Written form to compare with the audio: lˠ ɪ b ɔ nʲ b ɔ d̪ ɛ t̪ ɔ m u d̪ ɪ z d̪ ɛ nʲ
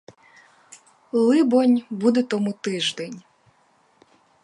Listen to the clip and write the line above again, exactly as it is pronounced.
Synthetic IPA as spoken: lˠ ɪ b ɔ nʲ b u d̪ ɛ t̪ ɔ m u t̪ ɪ ʒ d̪ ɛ nʲ